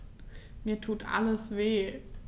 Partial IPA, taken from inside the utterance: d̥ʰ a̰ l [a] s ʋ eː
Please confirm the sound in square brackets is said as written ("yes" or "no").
no